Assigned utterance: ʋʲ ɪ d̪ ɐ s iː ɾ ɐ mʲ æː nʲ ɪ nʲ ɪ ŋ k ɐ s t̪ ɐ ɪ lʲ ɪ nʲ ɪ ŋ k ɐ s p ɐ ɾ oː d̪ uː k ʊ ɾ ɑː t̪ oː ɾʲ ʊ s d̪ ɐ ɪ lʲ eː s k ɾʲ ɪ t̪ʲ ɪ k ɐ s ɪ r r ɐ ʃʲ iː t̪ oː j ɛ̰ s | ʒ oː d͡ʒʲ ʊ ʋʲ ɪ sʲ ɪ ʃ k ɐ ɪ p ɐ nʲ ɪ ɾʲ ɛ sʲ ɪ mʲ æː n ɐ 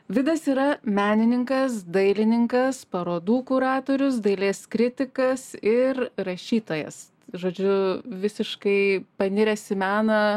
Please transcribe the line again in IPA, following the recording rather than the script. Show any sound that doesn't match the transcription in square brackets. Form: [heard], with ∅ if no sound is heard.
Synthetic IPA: ʋʲ ɪ d̪ ɐ s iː ɾ ɐ mʲ æː nʲ ɪ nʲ ɪ ŋ k ɐ s [d̪] ɐ ɪ lʲ ɪ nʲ ɪ ŋ k ɐ s p ɐ ɾ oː d̪ uː k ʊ ɾ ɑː t̪ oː ɾʲ ʊ s d̪ ɐ ɪ lʲ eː s k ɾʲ ɪ t̪ʲ ɪ k ɐ s ɪ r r ɐ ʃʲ iː t̪ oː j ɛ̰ s | ʒ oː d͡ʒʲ ʊ ʋʲ ɪ sʲ ɪ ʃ k ɐ ɪ p ɐ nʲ ɪ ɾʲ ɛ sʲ ɪ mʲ æː n ɐ